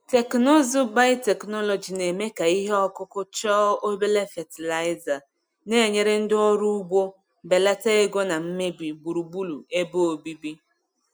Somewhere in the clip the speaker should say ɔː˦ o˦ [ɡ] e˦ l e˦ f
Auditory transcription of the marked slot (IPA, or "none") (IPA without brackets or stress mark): b